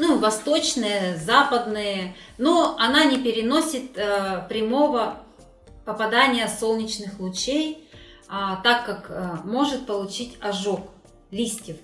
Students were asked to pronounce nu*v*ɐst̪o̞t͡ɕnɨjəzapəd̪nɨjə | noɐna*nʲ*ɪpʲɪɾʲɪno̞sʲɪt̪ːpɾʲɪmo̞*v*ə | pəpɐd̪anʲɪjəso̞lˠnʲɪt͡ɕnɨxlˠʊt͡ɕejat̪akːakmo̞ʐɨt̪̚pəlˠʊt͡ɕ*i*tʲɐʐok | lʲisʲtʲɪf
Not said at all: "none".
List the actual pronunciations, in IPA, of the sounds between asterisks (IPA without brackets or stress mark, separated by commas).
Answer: v, nʲ, v, i